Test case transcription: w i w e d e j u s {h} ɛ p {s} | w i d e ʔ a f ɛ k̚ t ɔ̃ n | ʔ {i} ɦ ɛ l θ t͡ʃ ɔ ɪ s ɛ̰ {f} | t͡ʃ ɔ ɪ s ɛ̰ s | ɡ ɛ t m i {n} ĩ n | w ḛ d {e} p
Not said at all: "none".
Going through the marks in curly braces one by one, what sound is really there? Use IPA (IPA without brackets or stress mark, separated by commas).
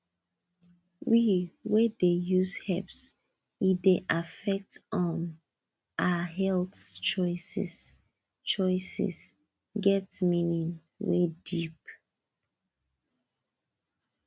h, s, a, s, n, i